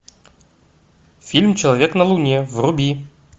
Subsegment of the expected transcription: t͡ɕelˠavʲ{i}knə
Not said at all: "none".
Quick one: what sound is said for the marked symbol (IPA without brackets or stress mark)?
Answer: e